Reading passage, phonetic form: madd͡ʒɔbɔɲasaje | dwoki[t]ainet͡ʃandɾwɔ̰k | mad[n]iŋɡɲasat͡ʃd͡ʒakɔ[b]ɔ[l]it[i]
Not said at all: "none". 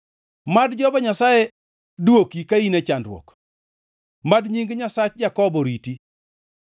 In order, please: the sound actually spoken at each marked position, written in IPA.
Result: k, ɲ, b, ɾ, i

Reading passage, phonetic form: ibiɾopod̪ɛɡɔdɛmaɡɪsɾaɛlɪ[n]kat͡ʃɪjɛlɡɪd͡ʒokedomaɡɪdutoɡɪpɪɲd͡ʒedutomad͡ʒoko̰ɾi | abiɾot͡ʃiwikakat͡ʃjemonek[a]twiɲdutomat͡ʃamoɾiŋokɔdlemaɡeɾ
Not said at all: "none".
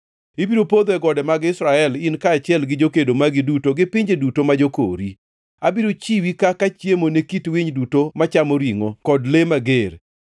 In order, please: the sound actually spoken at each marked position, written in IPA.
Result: n, i

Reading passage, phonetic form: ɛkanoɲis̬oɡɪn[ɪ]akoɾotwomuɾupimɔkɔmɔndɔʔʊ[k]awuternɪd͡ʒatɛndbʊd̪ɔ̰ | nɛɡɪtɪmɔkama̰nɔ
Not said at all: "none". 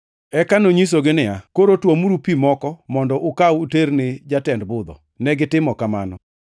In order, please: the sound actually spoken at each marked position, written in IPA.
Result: ɪ, k

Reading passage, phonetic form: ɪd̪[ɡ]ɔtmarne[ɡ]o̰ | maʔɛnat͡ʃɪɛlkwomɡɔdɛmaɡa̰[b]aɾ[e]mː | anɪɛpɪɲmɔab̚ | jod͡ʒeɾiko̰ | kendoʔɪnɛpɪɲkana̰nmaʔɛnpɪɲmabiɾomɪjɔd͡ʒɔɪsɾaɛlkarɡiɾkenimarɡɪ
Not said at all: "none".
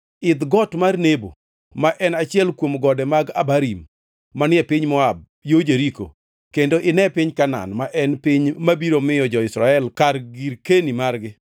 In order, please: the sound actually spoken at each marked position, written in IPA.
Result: ɡ, b, b, i

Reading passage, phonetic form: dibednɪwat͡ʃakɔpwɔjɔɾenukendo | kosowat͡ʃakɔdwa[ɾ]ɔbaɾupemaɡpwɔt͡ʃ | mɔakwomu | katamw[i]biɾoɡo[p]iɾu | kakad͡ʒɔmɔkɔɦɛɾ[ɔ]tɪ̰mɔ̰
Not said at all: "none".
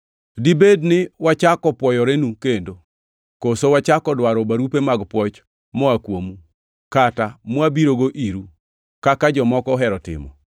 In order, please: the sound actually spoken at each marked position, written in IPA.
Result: ɾ, a, ʔ, ɔ

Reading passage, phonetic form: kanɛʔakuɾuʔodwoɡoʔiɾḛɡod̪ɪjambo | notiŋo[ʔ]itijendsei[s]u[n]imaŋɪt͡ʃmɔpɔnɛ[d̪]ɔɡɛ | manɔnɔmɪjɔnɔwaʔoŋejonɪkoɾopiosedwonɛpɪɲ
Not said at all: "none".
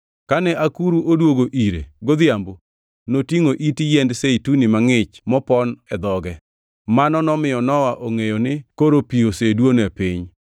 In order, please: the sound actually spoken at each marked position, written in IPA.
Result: ʔ, t, n, d̪

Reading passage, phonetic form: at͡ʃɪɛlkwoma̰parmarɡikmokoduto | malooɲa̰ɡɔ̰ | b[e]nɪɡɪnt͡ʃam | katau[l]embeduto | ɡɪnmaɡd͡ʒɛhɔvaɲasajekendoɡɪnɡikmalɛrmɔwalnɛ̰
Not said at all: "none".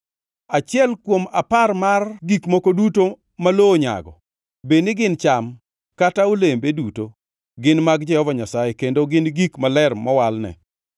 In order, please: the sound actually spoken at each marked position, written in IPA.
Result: e, l

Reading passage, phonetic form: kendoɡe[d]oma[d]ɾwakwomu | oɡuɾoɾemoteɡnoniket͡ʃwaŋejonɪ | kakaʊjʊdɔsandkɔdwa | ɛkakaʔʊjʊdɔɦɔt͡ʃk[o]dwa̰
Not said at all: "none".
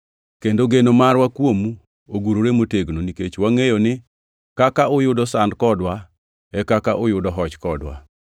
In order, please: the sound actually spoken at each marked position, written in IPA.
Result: n, none, ɔ

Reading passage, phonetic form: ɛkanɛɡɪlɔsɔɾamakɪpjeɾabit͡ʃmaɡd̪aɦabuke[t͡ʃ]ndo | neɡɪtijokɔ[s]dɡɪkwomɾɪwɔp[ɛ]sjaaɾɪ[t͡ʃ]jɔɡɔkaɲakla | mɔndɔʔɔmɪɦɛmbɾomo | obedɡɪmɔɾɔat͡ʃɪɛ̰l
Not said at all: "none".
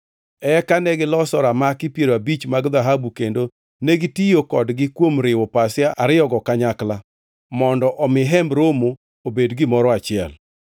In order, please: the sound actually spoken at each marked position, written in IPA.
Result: none, none, a, none

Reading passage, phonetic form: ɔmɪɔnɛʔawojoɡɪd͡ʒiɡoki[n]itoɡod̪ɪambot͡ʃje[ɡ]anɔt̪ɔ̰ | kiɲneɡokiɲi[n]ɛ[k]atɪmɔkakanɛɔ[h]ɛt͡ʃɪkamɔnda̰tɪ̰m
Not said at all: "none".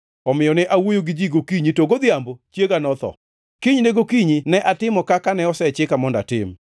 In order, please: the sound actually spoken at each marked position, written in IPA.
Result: ɲ, ɡ, n, ʔ, s

